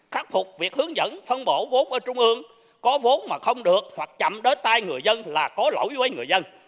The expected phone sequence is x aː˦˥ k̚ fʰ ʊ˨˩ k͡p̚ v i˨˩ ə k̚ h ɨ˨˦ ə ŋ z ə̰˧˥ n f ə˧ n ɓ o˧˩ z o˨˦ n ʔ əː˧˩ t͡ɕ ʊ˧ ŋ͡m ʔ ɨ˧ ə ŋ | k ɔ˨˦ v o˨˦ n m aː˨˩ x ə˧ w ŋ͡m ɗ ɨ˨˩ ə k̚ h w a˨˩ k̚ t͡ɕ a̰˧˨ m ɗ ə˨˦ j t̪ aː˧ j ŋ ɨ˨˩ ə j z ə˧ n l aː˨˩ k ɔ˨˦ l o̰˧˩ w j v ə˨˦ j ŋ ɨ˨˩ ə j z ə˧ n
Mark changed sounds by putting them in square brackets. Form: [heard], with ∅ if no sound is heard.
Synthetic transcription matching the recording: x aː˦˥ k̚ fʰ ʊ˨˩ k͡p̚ v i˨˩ ə k̚ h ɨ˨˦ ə ŋ z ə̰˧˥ n f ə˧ n ɓ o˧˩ [v] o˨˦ n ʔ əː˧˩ t͡ɕ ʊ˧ ŋ͡m ʔ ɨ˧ ə ŋ | k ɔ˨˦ v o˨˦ n m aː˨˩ x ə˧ w ŋ͡m ɗ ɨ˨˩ ə k̚ h w a˨˩ k̚ t͡ɕ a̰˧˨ m ɗ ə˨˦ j t̪ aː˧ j ŋ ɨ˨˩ ə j z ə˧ n l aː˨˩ k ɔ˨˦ l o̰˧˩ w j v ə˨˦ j ŋ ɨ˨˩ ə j z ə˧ n

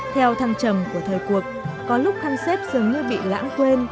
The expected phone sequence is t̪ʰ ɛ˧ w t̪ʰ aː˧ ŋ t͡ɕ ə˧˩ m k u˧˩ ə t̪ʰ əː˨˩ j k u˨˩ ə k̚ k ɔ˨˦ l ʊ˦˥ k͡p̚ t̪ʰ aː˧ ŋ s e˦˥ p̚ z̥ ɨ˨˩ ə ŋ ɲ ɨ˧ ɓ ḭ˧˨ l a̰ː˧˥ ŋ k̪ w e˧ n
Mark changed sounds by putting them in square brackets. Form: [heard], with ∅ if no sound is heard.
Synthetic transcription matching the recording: t̪ʰ ɛ˧ w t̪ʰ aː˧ ŋ t͡ɕ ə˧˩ m k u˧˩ ə t̪ʰ əː˨˩ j k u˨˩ ə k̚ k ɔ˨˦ l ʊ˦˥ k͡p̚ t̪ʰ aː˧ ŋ s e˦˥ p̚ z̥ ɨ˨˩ ə ŋ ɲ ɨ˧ ɓ ḭ˧˨ l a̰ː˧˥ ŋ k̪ w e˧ n

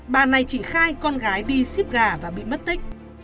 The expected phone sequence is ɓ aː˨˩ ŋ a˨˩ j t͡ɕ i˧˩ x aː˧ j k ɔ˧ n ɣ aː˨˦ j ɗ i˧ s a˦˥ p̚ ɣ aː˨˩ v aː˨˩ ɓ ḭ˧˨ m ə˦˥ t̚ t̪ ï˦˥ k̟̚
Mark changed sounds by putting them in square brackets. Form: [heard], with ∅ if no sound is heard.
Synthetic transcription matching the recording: ɓ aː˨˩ [n] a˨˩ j t͡ɕ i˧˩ x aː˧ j k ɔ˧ n ɣ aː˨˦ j ɗ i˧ s [i˦˥] p̚ ɣ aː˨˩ v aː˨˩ ɓ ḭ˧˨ m ə˦˥ t̚ t̪ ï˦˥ k̟̚

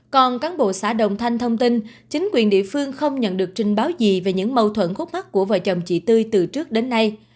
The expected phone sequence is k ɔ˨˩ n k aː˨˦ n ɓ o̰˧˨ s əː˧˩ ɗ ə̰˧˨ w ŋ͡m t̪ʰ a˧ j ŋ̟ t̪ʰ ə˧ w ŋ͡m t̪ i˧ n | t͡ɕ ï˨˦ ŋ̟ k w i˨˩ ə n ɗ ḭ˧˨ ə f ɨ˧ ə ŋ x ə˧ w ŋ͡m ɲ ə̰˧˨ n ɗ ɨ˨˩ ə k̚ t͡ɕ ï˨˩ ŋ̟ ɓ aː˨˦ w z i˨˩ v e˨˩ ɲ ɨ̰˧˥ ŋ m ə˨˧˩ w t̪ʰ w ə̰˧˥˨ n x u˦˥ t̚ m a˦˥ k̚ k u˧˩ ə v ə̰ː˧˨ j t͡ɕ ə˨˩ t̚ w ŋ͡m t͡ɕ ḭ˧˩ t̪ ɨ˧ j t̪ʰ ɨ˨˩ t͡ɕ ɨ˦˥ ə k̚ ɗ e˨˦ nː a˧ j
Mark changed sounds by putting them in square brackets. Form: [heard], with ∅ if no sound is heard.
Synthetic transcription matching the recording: k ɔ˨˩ n k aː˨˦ n ɓ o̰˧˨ s [aː˧˩] ɗ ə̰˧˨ w ŋ͡m t̪ʰ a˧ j ŋ̟ t̪ʰ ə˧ w ŋ͡m t̪ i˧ n | t͡ɕ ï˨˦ ŋ̟ k w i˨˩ ə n ɗ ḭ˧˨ ə f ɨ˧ ə ŋ x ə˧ w ŋ͡m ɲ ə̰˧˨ n ɗ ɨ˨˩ ə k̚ t͡ɕ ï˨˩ ŋ̟ ɓ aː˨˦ w z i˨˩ v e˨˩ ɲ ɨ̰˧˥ ŋ m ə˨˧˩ w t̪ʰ w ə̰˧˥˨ n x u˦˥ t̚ m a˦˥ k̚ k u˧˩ ə v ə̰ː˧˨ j t͡ɕ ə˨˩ [∅] w ŋ͡m t͡ɕ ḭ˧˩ t̪ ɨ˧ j [t̪] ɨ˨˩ t͡ɕ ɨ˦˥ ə k̚ ɗ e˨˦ nː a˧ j

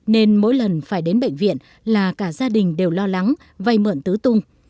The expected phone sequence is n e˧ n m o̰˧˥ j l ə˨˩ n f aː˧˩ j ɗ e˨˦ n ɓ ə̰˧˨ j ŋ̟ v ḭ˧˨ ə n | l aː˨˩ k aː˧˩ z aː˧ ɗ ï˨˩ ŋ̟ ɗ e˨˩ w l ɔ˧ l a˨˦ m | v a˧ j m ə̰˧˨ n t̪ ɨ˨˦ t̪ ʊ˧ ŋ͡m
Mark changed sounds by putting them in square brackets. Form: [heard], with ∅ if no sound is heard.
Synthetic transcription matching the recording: n e˧ n m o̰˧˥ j l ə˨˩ n f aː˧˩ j ɗ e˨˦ n ɓ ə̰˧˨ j ŋ̟ v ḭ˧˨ ə n | l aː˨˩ k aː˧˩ z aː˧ ɗ ï˨˩ ŋ̟ ɗ e˨˩ w l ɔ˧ l a˨˦ [ŋ] | v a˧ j m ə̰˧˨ n t̪ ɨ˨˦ t̪ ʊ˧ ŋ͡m

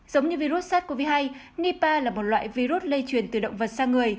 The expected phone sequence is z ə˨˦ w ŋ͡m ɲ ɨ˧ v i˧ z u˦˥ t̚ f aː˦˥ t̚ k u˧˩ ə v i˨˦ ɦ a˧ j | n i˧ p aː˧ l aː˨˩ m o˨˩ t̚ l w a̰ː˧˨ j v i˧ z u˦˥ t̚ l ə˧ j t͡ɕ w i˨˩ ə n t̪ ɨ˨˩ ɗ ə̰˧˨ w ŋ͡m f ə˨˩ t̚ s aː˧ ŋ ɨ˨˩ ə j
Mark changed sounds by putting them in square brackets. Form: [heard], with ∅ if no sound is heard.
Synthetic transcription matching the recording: z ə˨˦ w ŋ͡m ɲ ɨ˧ v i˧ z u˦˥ t̚ [s] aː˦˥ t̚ k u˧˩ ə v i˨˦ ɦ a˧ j | n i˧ p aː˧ l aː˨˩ m o˨˩ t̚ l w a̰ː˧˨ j v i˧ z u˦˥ t̚ l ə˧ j t͡ɕ w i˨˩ ə n t̪ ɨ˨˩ ɗ ə̰˧˨ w ŋ͡m [v] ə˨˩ t̚ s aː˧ ŋ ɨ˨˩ ə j

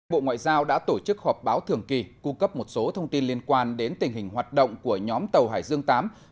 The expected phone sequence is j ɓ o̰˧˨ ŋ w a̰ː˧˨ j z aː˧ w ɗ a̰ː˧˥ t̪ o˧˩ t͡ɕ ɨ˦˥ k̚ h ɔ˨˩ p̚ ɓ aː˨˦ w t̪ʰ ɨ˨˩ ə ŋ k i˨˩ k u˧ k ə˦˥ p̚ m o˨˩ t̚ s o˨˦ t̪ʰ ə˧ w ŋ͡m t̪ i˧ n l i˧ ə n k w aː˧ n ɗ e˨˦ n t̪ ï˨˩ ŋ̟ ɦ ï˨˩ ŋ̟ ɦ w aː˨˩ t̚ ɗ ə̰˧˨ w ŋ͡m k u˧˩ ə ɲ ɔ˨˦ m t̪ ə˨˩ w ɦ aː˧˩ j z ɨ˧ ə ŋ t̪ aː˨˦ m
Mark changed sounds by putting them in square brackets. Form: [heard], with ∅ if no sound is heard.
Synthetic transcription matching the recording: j ɓ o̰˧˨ ŋ w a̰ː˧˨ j z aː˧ w ɗ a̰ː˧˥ t̪ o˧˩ t͡ɕ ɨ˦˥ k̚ h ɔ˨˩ p̚ ɓ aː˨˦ w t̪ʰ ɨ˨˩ ə ŋ k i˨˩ k u˧ k ə˦˥ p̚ m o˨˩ t̚ s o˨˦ t̪ʰ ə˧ w ŋ͡m t̪ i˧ n l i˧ ə n k w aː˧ n ɗ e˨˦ n t̪ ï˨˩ ŋ̟ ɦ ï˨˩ ŋ̟ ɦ w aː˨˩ t̚ ɗ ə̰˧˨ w ŋ͡m k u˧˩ ə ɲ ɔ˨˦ m t̪ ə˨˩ w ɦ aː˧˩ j z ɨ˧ ə ŋ t̪ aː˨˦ m

